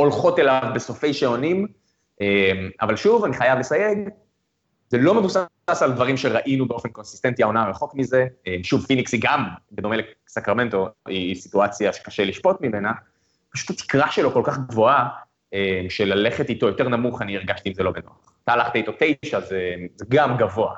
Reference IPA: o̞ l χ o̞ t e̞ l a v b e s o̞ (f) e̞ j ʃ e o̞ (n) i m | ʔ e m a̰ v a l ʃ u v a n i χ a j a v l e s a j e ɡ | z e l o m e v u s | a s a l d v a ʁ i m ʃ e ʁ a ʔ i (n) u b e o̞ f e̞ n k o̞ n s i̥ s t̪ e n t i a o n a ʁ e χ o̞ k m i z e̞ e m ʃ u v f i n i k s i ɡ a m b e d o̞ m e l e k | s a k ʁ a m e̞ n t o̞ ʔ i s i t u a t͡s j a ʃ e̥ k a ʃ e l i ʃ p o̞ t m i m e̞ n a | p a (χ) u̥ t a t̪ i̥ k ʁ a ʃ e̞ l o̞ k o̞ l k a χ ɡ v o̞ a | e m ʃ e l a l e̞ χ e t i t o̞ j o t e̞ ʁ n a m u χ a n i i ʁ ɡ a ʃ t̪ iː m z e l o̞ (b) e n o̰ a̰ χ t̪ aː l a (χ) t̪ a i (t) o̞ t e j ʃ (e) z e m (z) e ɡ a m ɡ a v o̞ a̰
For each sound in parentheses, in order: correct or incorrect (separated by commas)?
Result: correct, correct, correct, incorrect, correct, correct, correct, incorrect, correct